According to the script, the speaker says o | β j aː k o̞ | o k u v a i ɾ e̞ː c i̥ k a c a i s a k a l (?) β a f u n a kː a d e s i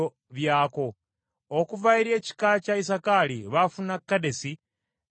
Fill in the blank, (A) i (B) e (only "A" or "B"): A